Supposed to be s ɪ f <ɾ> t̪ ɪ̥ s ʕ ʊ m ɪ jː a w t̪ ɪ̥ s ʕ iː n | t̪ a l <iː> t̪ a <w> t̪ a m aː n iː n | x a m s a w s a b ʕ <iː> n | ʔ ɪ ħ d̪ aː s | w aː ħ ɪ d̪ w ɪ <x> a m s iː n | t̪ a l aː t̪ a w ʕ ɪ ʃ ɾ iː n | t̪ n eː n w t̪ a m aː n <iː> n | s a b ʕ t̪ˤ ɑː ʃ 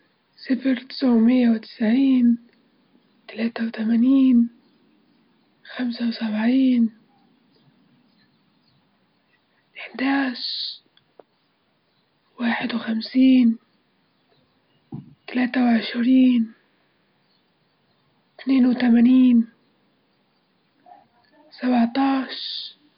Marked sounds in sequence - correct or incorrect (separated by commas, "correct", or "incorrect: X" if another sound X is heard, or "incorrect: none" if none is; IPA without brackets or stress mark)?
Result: correct, incorrect: aː, correct, correct, correct, correct